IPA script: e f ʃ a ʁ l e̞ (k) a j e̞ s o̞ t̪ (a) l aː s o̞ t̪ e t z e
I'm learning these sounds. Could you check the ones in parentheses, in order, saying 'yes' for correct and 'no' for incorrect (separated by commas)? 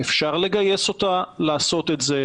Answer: no, yes